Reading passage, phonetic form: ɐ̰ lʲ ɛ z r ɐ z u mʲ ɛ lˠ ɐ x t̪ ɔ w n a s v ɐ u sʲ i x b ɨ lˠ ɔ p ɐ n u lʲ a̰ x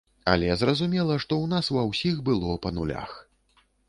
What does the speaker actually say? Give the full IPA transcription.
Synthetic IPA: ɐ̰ lʲ ɛ z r ɐ z u mʲ ɛ lˠ ɐ ʂ t̪ ɔ w n a s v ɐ w sʲ i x b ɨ lˠ ɔ p ɐ n u lʲ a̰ x